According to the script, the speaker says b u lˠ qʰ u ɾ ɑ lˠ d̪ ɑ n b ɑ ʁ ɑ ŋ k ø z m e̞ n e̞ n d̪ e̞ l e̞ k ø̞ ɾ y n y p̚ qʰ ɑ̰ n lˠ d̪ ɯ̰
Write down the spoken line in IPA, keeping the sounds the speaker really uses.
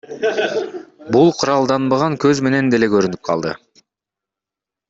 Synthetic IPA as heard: b u lˠ qʰ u ɾ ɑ lˠ d̪ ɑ n b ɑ ʁ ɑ ŋ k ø z m e̞ n e̞ n d̪ e̞ l e̞ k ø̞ ɾ y n y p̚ qʰ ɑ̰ lˠ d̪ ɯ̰